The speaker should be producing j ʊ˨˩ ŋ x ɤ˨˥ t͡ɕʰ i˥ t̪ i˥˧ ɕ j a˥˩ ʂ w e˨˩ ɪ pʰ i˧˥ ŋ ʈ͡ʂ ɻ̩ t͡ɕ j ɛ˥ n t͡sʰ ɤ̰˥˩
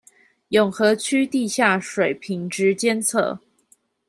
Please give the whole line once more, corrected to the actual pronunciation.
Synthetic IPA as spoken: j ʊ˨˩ ŋ x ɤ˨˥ t͡ɕʰ y˥ t̪ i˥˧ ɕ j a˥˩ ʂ w e˨˩ ɪ pʰ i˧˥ ŋ ʈ͡ʂ ɻ̩ t͡ɕ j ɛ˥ n t͡sʰ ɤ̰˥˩